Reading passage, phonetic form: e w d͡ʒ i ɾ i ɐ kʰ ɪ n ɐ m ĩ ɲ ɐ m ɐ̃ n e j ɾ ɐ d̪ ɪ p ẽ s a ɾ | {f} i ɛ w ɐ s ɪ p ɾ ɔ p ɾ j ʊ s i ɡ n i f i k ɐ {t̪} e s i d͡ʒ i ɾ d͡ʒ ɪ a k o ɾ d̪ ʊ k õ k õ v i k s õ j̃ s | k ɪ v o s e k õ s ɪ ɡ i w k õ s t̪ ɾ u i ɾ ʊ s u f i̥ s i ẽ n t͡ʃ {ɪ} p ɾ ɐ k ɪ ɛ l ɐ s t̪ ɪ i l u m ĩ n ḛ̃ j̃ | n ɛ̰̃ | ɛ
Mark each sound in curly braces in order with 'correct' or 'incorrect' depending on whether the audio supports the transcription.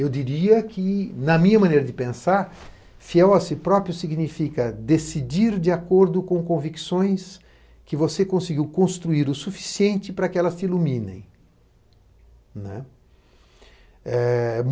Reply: correct, incorrect: d̪, correct

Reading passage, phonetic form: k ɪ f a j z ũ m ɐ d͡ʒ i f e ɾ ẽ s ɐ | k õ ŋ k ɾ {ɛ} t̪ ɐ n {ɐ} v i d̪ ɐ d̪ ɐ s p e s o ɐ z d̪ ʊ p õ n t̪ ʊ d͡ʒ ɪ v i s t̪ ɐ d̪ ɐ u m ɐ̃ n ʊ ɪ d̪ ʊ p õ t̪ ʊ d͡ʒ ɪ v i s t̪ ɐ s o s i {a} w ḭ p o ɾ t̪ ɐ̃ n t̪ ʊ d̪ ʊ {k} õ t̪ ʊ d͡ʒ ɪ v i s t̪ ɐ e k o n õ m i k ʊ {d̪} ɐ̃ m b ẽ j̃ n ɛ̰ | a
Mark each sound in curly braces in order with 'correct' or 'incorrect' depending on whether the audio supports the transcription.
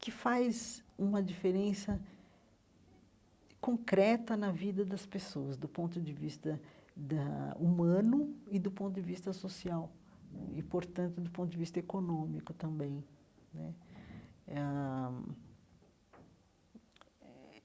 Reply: correct, correct, correct, incorrect: p, incorrect: t̪

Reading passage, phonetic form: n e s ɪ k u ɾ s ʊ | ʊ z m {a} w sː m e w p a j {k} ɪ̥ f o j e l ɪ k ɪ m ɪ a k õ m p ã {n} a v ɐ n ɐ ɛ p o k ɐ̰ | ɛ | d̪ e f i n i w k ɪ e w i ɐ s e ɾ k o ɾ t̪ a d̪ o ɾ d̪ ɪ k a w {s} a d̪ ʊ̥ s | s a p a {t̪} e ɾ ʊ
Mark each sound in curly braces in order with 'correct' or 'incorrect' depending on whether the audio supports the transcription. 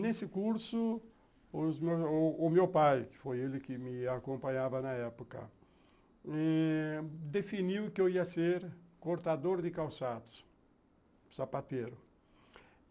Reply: incorrect: e, correct, incorrect: ɲ, correct, correct

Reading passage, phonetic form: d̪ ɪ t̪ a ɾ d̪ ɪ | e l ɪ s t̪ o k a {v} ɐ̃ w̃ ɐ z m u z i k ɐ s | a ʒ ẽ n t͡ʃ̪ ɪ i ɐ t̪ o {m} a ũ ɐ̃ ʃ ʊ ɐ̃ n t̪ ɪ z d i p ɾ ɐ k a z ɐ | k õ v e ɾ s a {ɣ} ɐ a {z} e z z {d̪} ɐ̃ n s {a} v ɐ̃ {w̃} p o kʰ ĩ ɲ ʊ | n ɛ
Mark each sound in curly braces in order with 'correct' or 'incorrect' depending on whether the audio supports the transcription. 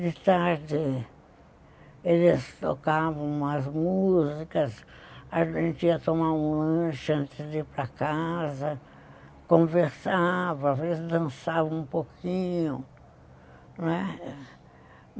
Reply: correct, correct, incorrect: v, incorrect: v, correct, correct, incorrect: ũ

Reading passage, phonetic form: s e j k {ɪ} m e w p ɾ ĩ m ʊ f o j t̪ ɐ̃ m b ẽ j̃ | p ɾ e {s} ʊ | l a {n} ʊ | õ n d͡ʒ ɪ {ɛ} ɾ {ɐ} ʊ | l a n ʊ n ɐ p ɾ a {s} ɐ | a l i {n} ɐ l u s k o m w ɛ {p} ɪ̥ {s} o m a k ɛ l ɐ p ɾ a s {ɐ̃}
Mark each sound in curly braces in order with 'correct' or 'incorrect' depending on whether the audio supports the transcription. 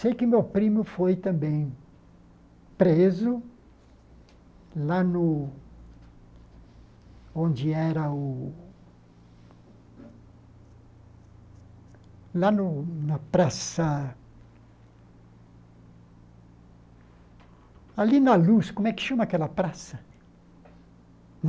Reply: correct, incorrect: z, correct, correct, correct, correct, correct, incorrect: k, incorrect: ʃ, incorrect: ɐ

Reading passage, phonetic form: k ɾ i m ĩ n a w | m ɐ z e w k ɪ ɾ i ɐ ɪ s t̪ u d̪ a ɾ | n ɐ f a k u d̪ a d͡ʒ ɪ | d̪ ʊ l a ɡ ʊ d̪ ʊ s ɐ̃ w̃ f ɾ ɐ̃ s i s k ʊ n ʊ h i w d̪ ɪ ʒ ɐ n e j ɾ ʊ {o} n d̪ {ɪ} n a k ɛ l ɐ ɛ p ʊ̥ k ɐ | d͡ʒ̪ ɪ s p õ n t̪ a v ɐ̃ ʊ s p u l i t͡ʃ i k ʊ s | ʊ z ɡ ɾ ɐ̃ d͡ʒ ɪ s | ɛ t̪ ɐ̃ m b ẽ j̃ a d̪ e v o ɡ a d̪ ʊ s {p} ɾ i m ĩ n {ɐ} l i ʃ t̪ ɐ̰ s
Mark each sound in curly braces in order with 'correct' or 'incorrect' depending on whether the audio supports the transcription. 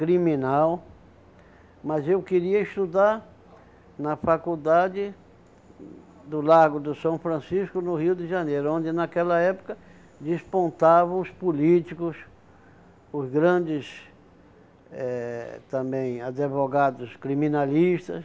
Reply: incorrect: õ, correct, incorrect: k, incorrect: a

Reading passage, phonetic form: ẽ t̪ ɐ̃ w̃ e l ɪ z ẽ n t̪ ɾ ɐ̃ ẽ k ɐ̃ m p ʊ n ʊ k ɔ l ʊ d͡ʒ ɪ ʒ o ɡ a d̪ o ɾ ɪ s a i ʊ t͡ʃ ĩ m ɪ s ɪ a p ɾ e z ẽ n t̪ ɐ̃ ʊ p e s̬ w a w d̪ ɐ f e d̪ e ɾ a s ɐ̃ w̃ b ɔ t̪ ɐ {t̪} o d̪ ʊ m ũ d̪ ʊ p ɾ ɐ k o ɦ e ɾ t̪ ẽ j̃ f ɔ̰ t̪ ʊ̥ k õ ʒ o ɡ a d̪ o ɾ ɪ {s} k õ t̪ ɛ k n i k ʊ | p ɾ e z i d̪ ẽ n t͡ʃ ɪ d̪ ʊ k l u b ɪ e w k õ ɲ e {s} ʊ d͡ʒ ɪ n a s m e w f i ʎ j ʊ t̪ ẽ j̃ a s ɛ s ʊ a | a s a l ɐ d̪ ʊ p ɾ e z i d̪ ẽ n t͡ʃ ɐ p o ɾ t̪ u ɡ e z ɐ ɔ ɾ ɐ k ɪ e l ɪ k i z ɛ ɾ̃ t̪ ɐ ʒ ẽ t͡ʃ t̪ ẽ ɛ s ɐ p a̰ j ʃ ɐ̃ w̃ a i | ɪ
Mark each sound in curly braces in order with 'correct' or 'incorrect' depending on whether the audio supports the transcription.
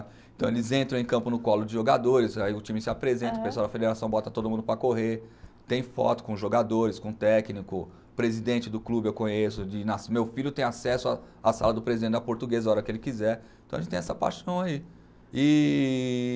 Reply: correct, correct, correct

